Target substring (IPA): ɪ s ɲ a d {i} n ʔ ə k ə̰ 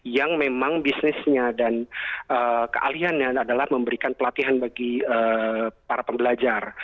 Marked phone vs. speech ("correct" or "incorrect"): incorrect